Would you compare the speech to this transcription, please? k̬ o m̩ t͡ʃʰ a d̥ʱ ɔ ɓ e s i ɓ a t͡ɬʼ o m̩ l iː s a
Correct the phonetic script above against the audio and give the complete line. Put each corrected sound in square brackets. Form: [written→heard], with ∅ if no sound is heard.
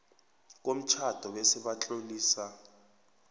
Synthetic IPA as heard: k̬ o m̩ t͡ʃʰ a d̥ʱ ɔ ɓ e s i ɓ a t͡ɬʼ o [m̩→∅] l iː s a